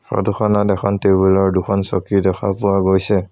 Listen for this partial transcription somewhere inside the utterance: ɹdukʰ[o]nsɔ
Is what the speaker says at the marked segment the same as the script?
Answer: no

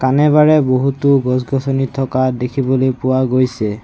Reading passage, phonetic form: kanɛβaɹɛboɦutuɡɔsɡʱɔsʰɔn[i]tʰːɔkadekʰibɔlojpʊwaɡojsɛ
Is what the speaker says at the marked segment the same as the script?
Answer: yes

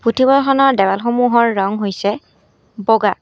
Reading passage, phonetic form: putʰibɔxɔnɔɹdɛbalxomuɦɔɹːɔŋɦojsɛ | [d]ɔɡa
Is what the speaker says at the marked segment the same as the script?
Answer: no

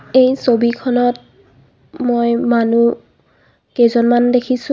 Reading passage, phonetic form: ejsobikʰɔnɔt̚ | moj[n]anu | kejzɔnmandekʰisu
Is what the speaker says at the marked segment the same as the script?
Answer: no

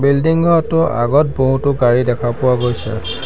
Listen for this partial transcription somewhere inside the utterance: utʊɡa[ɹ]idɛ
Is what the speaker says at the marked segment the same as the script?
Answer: yes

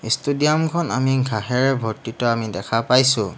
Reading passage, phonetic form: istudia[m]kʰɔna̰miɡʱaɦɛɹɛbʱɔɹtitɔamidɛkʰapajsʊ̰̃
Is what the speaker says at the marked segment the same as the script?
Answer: yes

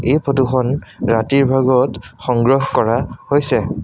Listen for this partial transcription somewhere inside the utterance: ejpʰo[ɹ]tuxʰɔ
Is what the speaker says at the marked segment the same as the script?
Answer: no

